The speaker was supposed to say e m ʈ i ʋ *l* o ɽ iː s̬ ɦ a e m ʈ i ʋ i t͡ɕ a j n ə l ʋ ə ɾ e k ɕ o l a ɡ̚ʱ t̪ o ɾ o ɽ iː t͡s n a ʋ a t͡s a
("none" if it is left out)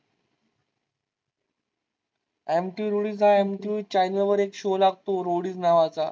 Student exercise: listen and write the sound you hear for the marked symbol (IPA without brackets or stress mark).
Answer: ɾ